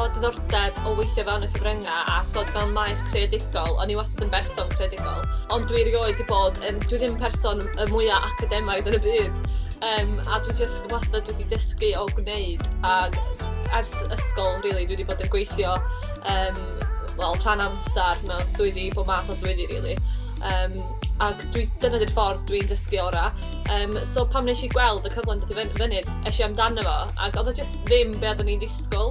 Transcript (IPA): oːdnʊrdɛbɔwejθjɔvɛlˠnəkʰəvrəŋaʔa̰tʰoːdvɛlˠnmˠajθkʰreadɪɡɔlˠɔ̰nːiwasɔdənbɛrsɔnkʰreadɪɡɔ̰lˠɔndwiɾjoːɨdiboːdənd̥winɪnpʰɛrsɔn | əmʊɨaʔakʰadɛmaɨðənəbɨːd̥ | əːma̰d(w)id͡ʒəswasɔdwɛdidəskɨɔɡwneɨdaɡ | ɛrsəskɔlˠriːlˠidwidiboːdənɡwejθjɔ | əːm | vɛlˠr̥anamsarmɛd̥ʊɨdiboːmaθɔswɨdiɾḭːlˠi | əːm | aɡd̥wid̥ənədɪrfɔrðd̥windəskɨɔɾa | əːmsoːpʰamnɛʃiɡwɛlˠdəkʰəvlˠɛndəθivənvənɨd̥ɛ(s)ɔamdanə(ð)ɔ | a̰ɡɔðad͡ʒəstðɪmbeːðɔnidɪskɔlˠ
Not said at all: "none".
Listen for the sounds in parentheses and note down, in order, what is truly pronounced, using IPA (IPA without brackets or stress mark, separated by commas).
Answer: w, ʃ, v